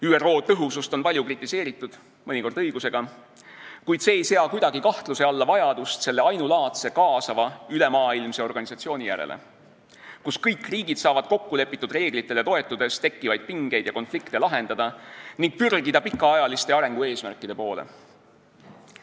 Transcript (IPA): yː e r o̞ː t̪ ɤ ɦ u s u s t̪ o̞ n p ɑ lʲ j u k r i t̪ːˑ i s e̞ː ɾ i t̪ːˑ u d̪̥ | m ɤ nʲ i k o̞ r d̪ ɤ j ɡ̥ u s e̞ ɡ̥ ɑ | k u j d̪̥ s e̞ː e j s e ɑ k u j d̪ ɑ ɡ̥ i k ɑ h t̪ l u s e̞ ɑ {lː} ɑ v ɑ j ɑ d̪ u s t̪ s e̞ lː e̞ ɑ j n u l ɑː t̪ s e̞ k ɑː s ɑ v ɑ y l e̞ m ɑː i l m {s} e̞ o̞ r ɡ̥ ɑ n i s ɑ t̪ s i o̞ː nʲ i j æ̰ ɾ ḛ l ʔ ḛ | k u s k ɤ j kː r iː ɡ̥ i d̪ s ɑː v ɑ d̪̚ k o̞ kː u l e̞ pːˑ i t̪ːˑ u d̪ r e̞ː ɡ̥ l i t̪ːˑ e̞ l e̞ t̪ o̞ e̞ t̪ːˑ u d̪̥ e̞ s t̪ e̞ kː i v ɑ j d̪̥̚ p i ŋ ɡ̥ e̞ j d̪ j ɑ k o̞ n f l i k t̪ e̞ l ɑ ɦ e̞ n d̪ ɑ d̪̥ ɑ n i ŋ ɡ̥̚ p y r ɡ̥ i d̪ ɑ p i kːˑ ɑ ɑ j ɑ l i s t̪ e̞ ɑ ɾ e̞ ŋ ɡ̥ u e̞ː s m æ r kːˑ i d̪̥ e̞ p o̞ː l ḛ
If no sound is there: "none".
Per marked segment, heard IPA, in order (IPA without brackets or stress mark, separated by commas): lː, s